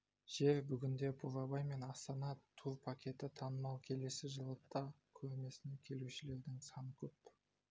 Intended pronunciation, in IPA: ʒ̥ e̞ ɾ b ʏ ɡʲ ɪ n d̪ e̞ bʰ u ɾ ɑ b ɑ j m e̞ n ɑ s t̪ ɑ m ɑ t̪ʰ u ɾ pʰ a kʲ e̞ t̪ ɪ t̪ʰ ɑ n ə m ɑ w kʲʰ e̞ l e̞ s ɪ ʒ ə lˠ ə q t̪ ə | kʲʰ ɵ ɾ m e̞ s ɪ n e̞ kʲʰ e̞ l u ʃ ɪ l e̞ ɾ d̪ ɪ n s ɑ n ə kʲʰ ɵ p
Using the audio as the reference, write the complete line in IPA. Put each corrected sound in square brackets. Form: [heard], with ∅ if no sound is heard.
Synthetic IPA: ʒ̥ e̞ ɾ b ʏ ɡʲ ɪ n d̪ e̞ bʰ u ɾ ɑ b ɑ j m e̞ n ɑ s t̪ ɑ [n] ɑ t̪ʰ u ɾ pʰ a kʲ e̞ t̪ ɪ t̪ʰ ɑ n ə m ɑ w kʲʰ e̞ l e̞ s ɪ ʒ ə lˠ ə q t̪ [ɑ] | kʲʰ ɵ ɾ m e̞ s ɪ n e̞ kʲʰ e̞ l u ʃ ɪ l e̞ ɾ d̪ ɪ [ŋ] s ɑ n ə kʲʰ ɵ p

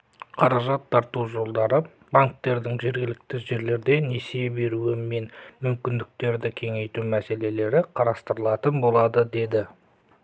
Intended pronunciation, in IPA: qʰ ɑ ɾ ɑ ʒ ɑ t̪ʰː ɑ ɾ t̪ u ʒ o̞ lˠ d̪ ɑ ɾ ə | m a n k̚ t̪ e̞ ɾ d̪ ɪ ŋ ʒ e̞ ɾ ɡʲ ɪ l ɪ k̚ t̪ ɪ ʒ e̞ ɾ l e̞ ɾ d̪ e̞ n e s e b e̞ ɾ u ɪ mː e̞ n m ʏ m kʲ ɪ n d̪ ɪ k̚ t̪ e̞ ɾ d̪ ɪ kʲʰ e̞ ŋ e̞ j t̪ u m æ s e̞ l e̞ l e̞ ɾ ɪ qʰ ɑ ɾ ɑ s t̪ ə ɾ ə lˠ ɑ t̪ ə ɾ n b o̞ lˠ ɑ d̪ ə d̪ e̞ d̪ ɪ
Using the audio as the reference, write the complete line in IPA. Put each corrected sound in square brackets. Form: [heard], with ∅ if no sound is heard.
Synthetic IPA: qʰ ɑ ɾ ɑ ʒ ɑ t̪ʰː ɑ ɾ t̪ u ʒ o̞ lˠ d̪ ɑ ɾ ə | [b] a [ŋ] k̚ t̪ e̞ ɾ d̪ ɪ ŋ ʒ e̞ ɾ ɡʲ ɪ l ɪ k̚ t̪ ɪ ʒ e̞ ɾ l e̞ ɾ d̪ e̞ n e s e b e̞ ɾ u ɪ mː e̞ n m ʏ m kʲ ɪ n d̪ ɪ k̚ t̪ e̞ ɾ d̪ ɪ kʲʰ e̞ ŋ e̞ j t̪ u m æ s e̞ l e̞ l e̞ ɾ ɪ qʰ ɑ ɾ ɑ s t̪ ə ɾ ə lˠ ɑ t̪ ə [∅] n b o̞ lˠ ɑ d̪ ə d̪ e̞ d̪ ɪ

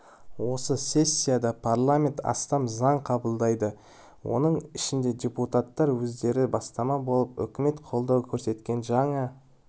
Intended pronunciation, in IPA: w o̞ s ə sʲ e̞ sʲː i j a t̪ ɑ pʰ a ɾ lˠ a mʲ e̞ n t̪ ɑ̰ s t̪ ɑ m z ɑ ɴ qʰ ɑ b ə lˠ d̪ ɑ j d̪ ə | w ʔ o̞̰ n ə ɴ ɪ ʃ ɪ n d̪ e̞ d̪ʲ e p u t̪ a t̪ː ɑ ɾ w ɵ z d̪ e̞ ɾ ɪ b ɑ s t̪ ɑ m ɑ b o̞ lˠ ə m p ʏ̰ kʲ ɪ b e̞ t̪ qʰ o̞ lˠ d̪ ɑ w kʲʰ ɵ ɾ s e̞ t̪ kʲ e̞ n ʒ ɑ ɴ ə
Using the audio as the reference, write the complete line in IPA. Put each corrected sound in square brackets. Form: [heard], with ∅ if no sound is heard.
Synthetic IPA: w o̞ s ə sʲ e̞ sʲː i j a [d̪] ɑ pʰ a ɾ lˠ a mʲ e̞ n t̪ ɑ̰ s t̪ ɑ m z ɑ ɴ qʰ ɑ b ə lˠ d̪ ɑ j d̪ ə | w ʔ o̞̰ n ə ɴ ɪ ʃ ɪ n d̪ e̞ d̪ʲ e p u t̪ a t̪ː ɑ ɾ w ɵ z d̪ e̞ ɾ ɪ b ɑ s t̪ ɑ m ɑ b o̞ lˠ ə [∅] p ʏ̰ kʲ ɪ [m] e̞ t̪ qʰ o̞ lˠ d̪ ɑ w kʲʰ ɵ ɾ s e̞ t̪ kʲ e̞ n ʒ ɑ ɴ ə

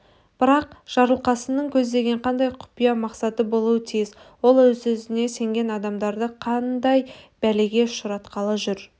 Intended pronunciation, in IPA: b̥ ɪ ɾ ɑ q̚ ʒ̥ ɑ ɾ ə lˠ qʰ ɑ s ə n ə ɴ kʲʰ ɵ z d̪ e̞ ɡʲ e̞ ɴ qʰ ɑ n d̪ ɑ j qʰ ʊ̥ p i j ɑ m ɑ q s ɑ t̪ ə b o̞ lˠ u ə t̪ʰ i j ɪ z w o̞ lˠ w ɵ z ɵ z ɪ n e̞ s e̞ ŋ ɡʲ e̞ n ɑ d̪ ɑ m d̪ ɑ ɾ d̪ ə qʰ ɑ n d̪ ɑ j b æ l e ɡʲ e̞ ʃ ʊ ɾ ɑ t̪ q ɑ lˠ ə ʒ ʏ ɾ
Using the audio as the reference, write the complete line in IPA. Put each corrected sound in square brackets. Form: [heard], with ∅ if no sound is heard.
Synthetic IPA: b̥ ɪ ɾ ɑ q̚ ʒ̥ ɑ ɾ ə lˠ [q] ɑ s ə n ə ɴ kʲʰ ɵ z d̪ e̞ ɡʲ e̞ ɴ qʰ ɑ n d̪ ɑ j qʰ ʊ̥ p i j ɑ m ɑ q s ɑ t̪ ə b o̞ lˠ u ə t̪ʰ i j ɪ z w o̞ lˠ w ɵ z ɵ z ɪ n e̞ s e̞ ŋ ɡʲ e̞ n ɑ d̪ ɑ m d̪ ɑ ɾ d̪ ə qʰ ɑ n d̪ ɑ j b æ l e ɡʲ e̞ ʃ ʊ ɾ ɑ t̪ q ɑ lˠ ə ʒ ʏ ɾ

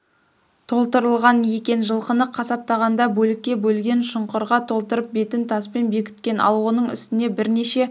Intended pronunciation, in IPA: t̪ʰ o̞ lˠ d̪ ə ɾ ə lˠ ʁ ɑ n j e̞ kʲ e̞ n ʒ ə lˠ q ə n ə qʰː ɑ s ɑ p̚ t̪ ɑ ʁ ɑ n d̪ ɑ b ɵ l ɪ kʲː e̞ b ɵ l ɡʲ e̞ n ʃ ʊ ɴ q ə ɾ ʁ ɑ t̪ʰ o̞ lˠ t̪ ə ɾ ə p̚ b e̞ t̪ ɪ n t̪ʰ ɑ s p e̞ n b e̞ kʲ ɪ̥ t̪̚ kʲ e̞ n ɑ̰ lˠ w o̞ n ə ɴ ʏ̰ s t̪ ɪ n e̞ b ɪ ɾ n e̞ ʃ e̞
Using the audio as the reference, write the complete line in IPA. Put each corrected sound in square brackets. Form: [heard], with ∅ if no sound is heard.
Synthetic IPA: t̪ʰ o̞ lˠ [t̪] ə ɾ ə lˠ ʁ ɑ n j e̞ kʲ e̞ n ʒ ə lˠ q ə n ə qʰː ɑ s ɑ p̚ t̪ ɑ ʁ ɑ n d̪ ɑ b ɵ l ɪ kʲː e̞ b ɵ l ɡʲ e̞ n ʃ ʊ ɴ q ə ɾ ʁ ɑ t̪ʰ o̞ lˠ t̪ ə ɾ ə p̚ b e̞ t̪ ɪ n t̪ʰ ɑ s p e̞ n b e̞ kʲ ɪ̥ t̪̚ kʲ e̞ n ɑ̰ lˠ w o̞ n ə ɴ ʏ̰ s t̪ ɪ n e̞ b ɪ ɾ n e̞ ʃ e̞

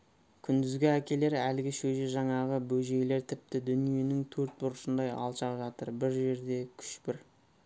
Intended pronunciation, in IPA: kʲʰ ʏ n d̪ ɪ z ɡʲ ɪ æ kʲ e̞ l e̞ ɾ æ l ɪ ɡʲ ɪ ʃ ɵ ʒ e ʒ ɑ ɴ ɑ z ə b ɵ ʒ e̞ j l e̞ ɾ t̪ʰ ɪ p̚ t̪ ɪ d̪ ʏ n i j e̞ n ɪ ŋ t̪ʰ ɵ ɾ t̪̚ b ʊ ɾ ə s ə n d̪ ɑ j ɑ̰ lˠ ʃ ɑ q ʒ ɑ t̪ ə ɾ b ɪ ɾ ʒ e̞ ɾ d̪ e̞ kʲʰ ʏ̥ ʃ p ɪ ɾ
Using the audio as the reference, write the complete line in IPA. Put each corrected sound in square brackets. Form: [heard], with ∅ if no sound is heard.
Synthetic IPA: kʲʰ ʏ n d̪ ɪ z ɡʲ ɪ æ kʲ e̞ l e̞ ɾ æ l ɪ ɡʲ ɪ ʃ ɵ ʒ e ʒ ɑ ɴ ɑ [ʁ] ə b ɵ ʒ e̞ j l e̞ ɾ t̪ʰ ɪ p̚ t̪ ɪ d̪ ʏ n i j e̞ n ɪ ŋ t̪ʰ ɵ ɾ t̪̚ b ʊ ɾ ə [ʃ] ə n d̪ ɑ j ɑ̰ lˠ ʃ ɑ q ʒ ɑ t̪ ə ɾ b ɪ ɾ ʒ e̞ ɾ d̪ e̞ kʲʰ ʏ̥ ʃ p ɪ ɾ

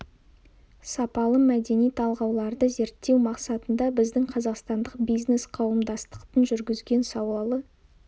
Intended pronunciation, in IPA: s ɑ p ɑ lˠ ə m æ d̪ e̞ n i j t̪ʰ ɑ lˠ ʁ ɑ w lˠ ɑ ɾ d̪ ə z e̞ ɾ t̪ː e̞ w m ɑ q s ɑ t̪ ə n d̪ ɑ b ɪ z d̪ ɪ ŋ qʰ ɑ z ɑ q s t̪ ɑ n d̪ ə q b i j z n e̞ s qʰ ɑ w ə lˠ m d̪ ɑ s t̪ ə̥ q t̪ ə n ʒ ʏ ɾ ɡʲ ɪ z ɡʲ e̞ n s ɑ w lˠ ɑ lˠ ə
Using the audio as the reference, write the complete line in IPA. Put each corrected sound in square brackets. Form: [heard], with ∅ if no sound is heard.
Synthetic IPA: s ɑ p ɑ lˠ ə m æ d̪ e̞ n i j t̪ʰ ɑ lˠ ʁ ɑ w lˠ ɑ ɾ d̪ ə z e̞ ɾ t̪ː e̞ w m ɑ q s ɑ t̪ ə n d̪ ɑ b ɪ z d̪ ɪ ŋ qʰ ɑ z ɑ q s t̪ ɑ n d̪ ə q b i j z n e̞ s qʰ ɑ w ə [∅] m d̪ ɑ s t̪ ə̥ q t̪ ə n ʒ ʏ ɾ ɡʲ ɪ z ɡʲ e̞ n s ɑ w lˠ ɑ lˠ ə

